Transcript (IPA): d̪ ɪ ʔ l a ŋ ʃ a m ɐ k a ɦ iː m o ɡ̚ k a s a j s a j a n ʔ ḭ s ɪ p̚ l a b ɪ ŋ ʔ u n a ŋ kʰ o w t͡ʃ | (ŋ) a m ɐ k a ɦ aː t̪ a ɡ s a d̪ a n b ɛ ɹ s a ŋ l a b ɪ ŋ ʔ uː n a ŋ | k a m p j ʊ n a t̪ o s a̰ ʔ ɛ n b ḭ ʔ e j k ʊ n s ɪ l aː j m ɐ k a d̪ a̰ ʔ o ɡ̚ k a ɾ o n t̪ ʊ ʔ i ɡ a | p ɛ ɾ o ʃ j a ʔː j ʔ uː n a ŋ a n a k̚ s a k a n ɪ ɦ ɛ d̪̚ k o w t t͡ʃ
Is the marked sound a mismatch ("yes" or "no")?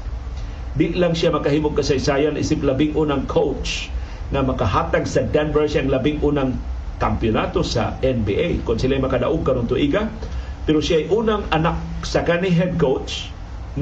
no